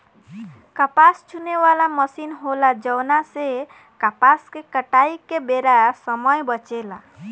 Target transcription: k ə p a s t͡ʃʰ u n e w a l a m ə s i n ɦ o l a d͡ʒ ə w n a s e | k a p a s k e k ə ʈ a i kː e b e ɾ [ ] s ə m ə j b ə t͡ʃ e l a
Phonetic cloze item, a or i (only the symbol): a